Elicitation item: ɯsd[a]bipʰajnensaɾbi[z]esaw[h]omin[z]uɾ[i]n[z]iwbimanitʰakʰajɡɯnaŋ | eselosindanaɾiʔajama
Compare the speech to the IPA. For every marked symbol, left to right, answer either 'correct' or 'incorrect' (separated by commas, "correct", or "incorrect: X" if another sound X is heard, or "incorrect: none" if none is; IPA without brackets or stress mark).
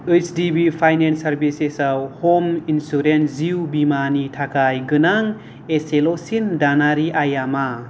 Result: incorrect: i, incorrect: s, correct, incorrect: s, incorrect: e, correct